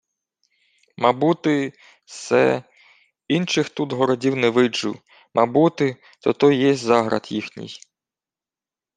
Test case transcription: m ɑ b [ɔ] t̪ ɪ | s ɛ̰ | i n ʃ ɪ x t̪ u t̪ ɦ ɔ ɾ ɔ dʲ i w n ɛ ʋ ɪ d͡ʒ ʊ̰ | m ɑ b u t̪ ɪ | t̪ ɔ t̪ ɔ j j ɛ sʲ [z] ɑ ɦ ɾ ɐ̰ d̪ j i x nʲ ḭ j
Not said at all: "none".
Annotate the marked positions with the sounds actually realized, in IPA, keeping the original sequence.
u, z

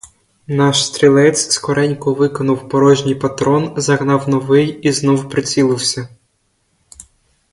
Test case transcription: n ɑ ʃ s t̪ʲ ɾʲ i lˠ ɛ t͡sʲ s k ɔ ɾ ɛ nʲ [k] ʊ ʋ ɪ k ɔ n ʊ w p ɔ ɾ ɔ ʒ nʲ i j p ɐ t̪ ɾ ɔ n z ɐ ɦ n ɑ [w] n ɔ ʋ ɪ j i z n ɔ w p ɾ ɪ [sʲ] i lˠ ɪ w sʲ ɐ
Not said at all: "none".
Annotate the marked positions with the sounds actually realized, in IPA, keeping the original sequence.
k, w, t͡sʲ

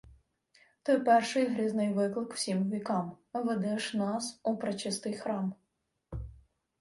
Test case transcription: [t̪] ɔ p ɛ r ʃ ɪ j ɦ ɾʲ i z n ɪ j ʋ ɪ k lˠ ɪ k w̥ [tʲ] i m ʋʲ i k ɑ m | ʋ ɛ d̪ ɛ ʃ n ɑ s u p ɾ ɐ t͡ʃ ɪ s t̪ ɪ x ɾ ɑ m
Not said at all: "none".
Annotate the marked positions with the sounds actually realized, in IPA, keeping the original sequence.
t̪, sʲ

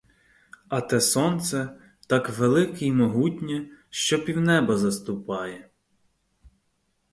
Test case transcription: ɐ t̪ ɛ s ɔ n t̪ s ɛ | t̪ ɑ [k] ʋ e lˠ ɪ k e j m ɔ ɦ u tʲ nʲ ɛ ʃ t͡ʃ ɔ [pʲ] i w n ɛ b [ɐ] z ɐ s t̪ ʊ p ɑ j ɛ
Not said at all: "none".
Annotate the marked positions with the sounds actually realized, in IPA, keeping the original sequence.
k, pʲ, ɐ

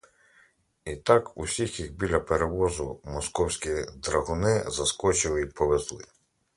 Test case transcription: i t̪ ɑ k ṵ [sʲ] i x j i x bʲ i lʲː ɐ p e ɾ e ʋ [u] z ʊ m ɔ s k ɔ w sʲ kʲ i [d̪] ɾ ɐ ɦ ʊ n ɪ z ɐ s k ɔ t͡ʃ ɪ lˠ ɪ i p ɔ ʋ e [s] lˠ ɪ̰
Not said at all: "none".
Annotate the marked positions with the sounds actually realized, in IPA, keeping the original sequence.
sʲ, ɔ, d̪, z

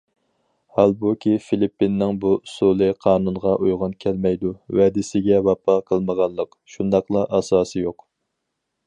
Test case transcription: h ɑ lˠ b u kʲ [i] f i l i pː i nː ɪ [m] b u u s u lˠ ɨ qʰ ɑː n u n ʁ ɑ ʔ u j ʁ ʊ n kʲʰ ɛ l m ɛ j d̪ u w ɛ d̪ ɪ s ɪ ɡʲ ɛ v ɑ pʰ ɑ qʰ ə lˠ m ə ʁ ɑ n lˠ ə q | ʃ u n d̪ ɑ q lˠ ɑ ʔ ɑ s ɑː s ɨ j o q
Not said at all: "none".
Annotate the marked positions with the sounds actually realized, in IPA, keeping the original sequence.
i, ŋ

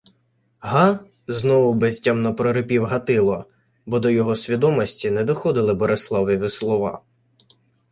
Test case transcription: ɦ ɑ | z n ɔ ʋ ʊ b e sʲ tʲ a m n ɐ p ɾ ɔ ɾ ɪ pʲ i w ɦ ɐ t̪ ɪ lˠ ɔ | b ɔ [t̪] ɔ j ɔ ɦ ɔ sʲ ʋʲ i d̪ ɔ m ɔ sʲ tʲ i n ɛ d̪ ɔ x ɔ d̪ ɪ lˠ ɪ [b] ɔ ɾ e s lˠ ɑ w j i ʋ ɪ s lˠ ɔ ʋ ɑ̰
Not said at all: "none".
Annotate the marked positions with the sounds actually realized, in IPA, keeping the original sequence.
d̪, b

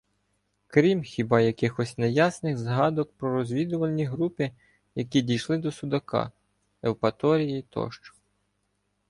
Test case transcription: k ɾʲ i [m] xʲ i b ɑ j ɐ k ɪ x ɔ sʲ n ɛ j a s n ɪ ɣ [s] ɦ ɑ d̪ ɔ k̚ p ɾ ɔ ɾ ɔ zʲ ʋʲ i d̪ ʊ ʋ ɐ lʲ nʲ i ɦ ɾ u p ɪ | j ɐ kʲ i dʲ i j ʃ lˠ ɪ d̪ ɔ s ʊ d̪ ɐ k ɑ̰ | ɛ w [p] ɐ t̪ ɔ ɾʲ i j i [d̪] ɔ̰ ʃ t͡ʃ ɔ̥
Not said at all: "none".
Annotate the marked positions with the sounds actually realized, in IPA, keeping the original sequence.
m, z, p, t̪

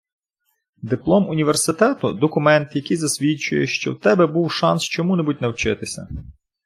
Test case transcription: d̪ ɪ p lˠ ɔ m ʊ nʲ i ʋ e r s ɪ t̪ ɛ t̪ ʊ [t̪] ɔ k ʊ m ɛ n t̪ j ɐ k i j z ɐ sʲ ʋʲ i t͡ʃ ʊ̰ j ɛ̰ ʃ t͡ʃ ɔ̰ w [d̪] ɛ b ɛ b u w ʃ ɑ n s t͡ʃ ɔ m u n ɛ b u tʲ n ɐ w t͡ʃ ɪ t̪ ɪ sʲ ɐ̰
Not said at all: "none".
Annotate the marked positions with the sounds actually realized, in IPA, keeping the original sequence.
d̪, t̪

